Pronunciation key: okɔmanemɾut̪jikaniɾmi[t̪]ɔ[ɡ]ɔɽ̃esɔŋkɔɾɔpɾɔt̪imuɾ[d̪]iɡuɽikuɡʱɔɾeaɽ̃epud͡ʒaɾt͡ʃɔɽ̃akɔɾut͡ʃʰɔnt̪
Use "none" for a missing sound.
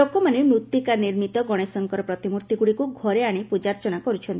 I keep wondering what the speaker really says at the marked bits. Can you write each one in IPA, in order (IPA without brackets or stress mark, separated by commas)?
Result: t̪, ɡ, t̪